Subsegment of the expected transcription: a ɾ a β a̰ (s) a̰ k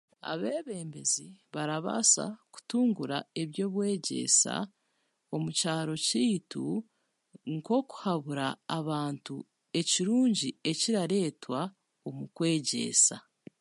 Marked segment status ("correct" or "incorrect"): correct